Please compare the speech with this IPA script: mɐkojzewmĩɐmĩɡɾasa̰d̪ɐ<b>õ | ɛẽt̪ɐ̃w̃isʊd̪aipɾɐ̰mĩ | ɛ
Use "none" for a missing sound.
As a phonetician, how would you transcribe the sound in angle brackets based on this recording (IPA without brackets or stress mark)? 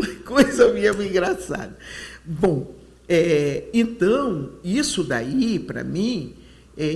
b